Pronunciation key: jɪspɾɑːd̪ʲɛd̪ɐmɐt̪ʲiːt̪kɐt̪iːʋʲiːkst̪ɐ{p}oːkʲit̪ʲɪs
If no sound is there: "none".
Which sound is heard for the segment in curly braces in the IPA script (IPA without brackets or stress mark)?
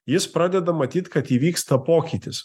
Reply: p